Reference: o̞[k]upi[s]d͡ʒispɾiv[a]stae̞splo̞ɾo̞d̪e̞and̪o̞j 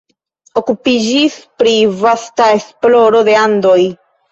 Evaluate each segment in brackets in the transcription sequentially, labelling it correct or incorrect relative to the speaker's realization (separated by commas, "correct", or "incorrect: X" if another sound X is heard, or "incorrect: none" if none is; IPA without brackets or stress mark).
correct, incorrect: none, correct